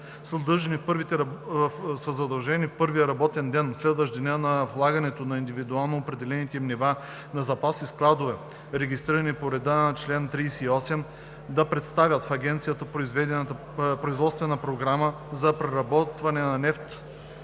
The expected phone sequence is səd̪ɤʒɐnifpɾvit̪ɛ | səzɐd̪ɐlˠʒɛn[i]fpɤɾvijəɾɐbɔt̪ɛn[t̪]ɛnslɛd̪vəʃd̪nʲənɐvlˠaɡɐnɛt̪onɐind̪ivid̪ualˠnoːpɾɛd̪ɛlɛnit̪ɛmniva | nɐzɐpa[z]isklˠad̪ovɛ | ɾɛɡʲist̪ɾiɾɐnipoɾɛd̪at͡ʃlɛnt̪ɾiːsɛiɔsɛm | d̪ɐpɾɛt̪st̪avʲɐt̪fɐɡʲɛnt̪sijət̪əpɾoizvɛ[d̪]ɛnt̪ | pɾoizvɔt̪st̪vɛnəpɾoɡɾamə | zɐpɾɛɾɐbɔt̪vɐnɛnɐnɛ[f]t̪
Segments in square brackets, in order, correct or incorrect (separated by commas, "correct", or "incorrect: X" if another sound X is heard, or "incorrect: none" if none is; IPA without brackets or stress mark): correct, incorrect: d̪, incorrect: s, correct, correct